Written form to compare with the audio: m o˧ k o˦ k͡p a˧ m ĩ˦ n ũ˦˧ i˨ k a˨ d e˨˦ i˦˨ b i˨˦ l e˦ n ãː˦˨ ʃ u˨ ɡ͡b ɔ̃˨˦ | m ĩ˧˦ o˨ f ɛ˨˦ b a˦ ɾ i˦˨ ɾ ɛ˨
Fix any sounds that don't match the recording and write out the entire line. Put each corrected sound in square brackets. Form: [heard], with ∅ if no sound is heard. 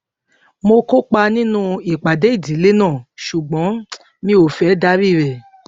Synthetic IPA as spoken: m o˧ k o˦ k͡p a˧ [n] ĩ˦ n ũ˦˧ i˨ [k͡p] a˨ d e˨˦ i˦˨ [d] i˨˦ l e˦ n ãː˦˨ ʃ u˨ ɡ͡b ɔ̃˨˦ | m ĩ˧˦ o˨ f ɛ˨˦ [d] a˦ ɾ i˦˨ ɾ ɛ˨